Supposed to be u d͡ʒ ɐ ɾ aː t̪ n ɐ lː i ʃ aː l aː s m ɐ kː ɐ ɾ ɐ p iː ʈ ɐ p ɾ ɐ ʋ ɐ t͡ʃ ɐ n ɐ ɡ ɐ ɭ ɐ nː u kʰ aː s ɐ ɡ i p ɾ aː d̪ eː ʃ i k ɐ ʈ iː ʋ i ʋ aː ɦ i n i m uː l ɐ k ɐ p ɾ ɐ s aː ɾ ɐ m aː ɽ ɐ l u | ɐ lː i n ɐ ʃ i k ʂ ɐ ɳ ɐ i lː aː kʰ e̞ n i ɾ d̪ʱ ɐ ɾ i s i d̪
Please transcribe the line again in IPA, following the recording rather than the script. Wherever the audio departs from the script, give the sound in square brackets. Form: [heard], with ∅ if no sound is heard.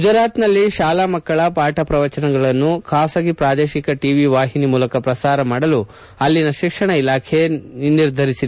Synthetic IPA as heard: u d͡ʒ ɐ ɾ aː t̪ n ɐ lː i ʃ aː l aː [∅] m ɐ kː ɐ [ɭ] ɐ p [aː] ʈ ɐ p ɾ ɐ ʋ ɐ t͡ʃ ɐ n ɐ ɡ ɐ ɭ ɐ nː u kʰ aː s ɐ ɡ i p ɾ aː d̪ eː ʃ i k ɐ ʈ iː ʋ i ʋ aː ɦ i n i m uː l ɐ k ɐ p ɾ ɐ s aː ɾ ɐ m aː ɽ ɐ l u | ɐ lː i n ɐ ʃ i k ʂ ɐ ɳ ɐ i [l] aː kʰ e̞ n i ɾ d̪ʱ ɐ ɾ i s i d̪

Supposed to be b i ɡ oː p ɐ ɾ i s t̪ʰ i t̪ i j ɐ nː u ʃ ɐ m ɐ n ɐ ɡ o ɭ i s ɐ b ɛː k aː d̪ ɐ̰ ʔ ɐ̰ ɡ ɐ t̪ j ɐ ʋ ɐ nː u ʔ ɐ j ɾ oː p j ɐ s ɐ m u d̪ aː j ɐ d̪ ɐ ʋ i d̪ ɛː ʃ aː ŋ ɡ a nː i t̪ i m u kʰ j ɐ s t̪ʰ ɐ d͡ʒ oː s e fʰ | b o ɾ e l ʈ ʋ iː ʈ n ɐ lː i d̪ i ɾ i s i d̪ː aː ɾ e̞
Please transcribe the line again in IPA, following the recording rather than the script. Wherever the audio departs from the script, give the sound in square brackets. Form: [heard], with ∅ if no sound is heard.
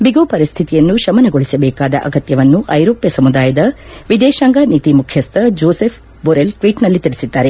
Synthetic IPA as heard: b i ɡ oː p ɐ ɾ i s t̪ʰ i t̪ i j ɐ nː u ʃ ɐ m ɐ n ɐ ɡ o ɭ i s ɐ b ɛː k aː d̪ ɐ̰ ʔ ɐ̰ ɡ ɐ t̪ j ɐ ʋ ɐ nː u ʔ ɐ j ɾ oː p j ɐ s ɐ m u d̪ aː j ɐ d̪ ɐ ʋ i d̪ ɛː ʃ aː ŋ ɡ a [n] i t̪ i m u kʰ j ɐ s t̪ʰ ɐ d͡ʒ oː s e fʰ | b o ɾ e l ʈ ʋ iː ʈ n ɐ lː i [t̪] i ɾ i s i d̪ː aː ɾ e̞

